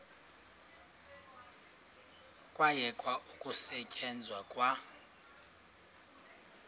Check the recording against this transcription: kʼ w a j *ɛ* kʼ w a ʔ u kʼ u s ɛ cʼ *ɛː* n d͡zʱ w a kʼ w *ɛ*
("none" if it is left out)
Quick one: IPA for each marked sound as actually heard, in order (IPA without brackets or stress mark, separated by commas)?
ɛ, ɛ, a